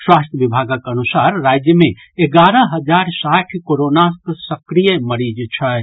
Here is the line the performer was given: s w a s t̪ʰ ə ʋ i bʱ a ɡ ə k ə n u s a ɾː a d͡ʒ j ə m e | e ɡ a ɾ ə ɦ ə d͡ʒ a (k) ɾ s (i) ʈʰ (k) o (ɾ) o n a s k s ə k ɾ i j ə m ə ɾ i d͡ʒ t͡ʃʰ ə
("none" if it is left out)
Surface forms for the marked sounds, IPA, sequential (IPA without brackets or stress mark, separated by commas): none, a, k, ɾ